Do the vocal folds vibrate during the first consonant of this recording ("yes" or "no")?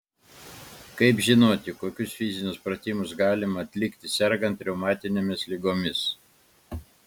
no